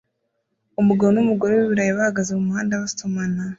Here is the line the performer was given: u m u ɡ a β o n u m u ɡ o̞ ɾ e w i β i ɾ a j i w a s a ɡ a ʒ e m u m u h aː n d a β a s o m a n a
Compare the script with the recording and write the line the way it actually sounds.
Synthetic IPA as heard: u m u ɡ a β o n u m u ɡ o̞ ɾ e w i β i ɾ a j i β a h a ɡ a z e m u m u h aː n d a β a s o m a n a